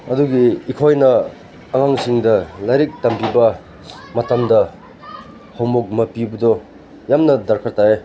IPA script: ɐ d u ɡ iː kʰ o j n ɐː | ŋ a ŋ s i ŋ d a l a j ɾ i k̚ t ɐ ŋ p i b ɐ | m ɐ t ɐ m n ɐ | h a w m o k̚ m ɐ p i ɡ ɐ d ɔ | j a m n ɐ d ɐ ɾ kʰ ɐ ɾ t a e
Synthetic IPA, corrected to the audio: ɐ d u ɡ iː kʰ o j n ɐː | ŋ a ŋ s i ŋ d ɐ l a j ɾ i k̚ t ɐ m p i b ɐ | m ɐ t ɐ m d ɐ | h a w m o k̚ m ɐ p i b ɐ d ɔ | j a m n ɐ d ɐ ɾ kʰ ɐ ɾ t a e